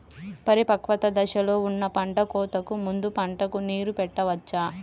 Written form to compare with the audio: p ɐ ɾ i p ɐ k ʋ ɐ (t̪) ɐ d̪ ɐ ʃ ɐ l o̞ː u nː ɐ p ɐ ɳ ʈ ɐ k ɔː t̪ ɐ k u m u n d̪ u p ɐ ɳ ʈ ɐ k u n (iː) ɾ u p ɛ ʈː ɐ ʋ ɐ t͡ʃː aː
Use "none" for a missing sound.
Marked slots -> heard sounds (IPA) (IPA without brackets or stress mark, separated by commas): t̪, iː